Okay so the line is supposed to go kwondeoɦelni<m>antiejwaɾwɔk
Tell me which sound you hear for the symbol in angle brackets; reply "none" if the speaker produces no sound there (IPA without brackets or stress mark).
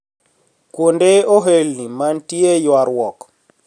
m